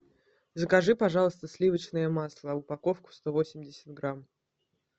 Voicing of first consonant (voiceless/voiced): voiced